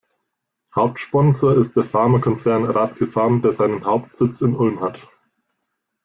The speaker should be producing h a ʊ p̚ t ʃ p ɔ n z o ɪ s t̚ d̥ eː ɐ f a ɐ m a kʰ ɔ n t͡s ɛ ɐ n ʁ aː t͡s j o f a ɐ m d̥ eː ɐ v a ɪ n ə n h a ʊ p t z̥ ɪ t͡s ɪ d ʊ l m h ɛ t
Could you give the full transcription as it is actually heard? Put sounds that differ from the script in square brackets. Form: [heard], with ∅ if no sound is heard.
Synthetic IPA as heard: h a ʊ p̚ t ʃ p ɔ n z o ɪ s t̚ d̥ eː ɐ f a ɐ m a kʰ ɔ n t͡s ɛ ɐ n ʁ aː t͡s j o f a ɐ m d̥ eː ɐ [z] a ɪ n ə n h a ʊ p t z̥ ɪ t͡s ɪ [n] ʊ l m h [a] t